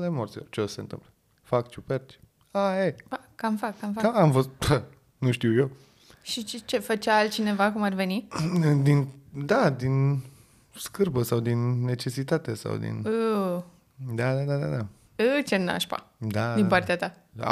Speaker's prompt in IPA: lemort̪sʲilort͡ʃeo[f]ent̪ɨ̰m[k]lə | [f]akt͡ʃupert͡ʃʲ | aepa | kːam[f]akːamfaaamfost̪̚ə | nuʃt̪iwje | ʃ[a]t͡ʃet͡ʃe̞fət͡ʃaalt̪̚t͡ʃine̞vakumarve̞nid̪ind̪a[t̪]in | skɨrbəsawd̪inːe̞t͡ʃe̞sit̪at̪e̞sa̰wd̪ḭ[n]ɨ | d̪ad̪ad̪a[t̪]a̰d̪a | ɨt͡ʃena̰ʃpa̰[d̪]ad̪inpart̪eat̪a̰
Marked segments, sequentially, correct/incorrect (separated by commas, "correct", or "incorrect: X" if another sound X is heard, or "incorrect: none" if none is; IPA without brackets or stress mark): incorrect: s, incorrect: p, correct, correct, incorrect: i, incorrect: d̪, correct, incorrect: d̪, correct